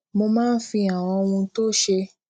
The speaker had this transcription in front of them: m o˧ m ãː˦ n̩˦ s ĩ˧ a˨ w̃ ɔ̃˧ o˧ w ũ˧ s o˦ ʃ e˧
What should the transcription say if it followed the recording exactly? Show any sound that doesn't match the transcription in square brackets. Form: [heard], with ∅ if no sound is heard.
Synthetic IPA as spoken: m o˧ m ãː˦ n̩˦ [f] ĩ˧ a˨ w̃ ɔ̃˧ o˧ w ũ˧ [t] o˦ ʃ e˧

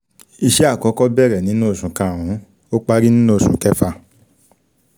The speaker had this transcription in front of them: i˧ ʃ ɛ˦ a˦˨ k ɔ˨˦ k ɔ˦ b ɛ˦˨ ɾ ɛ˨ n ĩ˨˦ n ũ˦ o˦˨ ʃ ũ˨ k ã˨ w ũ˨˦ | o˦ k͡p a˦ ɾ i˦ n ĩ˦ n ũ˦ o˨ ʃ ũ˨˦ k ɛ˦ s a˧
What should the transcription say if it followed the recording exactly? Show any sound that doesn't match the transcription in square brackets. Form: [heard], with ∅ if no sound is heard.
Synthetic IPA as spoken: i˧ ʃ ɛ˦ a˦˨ k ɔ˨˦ k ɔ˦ b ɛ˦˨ ɾ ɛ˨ n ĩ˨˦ n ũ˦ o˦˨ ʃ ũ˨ k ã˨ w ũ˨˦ | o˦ k͡p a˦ ɾ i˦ n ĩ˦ n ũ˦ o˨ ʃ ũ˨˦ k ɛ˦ [f] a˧

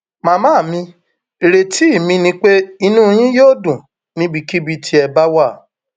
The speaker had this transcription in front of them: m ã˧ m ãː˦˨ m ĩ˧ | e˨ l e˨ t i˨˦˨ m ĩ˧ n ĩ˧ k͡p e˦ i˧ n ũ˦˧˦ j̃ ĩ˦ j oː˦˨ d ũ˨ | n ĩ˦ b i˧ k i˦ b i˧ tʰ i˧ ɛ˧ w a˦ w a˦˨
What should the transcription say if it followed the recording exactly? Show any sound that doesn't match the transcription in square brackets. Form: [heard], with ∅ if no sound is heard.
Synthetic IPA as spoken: m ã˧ m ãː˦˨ m ĩ˧ | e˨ [ɾ] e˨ t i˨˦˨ m ĩ˧ n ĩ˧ k͡p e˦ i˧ n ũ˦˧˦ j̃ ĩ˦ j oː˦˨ d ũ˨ | n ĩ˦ b i˧ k i˦ b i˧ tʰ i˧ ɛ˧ [b] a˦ w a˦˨

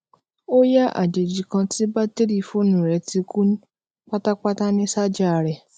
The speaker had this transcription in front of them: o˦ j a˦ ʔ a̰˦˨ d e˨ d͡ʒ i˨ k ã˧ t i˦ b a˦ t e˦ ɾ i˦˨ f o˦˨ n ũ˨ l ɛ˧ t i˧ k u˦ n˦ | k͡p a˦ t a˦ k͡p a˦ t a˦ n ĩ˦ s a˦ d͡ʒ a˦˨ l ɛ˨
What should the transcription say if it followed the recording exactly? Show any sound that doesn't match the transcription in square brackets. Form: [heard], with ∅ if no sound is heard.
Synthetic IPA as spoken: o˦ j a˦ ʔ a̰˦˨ [d͡ʒ] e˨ d͡ʒ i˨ k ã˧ t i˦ b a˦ t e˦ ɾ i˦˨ f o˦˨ n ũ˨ [ɾ] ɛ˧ t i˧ k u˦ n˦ | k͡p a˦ t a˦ k͡p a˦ t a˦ n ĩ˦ s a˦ d͡ʒ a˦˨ [ɾ] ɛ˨

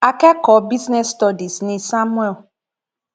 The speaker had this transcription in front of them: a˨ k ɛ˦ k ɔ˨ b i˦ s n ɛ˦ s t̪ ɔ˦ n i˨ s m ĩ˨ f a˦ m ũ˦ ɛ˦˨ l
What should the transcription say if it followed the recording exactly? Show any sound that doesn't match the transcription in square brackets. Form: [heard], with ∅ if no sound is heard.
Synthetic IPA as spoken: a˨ k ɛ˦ k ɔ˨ b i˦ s n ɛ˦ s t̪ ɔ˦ [d] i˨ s [n] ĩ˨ [s] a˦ m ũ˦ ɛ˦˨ l

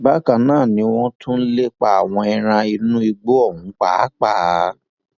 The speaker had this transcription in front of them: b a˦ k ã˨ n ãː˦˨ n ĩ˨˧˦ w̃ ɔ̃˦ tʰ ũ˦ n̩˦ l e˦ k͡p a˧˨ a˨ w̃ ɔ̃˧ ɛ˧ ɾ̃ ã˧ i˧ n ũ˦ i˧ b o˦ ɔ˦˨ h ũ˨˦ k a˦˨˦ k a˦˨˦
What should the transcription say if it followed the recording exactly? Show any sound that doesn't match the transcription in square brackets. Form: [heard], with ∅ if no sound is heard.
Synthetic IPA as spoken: b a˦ k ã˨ n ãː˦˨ n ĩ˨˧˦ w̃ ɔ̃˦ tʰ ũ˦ n̩˦ l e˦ k͡p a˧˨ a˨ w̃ ɔ̃˧ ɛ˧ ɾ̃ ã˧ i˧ n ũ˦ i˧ [ɡ͡b] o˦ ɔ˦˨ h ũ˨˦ [k͡p] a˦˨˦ [k͡p] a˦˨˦

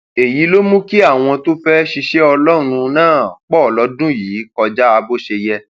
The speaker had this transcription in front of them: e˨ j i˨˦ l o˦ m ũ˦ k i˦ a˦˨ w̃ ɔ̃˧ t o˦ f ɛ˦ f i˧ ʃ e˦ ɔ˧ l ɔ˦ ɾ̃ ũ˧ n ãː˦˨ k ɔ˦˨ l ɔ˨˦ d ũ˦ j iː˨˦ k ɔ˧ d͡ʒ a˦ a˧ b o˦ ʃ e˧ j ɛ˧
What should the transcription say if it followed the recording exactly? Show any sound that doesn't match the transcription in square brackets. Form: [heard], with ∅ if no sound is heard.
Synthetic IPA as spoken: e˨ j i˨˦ l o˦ m ũ˦ k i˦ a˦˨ w̃ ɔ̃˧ t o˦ f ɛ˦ [ʃ] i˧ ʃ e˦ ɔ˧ l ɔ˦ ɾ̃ ũ˧ n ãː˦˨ [k͡p] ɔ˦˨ l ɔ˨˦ d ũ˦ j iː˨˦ k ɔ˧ d͡ʒ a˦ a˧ b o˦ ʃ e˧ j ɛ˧

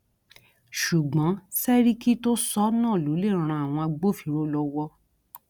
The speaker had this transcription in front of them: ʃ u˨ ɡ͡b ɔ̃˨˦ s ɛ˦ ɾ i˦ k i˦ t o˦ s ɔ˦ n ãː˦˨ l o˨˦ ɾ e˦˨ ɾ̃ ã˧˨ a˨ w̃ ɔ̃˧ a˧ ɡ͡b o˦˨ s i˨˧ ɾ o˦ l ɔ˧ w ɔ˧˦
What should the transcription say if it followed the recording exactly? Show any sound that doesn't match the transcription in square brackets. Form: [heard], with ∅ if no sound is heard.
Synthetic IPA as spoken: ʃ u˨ ɡ͡b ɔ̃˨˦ s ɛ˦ ɾ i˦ k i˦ t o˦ s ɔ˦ n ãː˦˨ l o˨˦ [l] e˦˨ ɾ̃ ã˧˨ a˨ w̃ ɔ̃˧ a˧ ɡ͡b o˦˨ [f] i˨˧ ɾ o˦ l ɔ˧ w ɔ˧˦

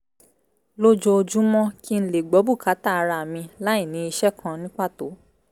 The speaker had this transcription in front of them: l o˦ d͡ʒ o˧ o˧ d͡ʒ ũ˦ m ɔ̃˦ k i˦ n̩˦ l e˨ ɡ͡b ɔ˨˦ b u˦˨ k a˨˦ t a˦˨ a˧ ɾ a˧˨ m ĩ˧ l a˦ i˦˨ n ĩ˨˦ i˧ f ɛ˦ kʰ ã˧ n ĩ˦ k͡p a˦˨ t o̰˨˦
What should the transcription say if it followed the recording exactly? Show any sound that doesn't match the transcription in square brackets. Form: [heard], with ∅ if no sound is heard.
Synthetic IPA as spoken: l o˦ d͡ʒ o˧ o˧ d͡ʒ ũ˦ m ɔ̃˦ k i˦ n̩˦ l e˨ ɡ͡b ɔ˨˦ b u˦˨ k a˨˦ t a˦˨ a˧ ɾ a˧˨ m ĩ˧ l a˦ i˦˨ n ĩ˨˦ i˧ [ʃ] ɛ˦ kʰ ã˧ n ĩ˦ k͡p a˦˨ t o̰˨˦

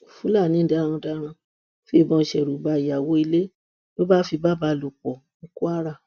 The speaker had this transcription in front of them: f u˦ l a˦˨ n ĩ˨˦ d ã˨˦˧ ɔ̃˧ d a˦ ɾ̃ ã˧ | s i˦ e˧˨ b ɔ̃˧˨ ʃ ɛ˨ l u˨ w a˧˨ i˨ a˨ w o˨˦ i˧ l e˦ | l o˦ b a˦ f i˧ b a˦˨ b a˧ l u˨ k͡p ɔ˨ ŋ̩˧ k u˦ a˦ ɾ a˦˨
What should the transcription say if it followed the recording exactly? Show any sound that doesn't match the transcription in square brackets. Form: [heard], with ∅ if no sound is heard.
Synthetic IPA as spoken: f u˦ l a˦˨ n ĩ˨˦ d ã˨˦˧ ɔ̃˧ d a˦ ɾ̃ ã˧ | [f] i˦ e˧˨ b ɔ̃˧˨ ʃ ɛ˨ [ɾ] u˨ [b] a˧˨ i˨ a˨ w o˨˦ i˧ l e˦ | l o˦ b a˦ f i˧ b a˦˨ b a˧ l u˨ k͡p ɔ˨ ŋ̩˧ k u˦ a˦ ɾ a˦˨

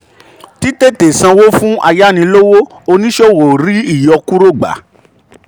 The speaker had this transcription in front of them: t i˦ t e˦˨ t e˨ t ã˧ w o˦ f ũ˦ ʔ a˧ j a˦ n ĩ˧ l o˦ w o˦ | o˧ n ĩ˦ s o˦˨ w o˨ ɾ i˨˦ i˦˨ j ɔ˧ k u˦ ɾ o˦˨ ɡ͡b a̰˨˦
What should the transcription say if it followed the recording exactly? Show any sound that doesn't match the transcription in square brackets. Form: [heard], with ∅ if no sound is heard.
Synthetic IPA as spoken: t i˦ t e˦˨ t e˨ [s] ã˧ w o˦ f ũ˦ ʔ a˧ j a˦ n ĩ˧ l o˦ w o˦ | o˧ n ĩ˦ [ʃ] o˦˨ w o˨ ɾ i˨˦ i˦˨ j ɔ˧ k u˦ ɾ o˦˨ ɡ͡b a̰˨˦

